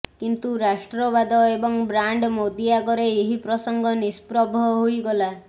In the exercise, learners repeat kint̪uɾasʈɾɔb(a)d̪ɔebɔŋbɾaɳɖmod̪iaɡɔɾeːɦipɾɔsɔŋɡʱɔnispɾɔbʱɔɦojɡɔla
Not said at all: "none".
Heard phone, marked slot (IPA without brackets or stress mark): a